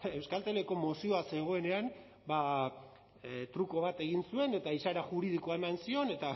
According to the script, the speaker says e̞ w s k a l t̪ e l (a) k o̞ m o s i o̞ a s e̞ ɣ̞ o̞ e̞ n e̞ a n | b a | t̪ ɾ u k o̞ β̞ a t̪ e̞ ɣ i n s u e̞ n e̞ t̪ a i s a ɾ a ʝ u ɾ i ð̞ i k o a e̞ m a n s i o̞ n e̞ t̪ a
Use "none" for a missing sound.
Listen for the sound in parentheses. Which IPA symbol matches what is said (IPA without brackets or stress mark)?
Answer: e